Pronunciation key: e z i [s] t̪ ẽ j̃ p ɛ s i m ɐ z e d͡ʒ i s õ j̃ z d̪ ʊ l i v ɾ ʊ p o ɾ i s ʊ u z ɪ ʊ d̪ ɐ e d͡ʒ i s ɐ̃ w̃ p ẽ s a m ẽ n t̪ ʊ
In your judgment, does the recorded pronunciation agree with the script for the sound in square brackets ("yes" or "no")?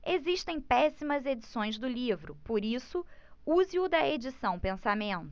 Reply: no